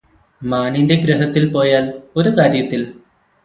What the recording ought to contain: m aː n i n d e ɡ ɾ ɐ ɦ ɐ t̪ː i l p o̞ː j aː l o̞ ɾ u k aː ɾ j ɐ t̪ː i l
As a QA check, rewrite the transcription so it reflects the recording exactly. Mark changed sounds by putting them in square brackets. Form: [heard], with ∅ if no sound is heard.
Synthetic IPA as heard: m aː n i n d e ɡ ɾ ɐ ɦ ɐ t̪ː i l p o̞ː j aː l o̞ ɾ u k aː ɾ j ɐ t̪ː i l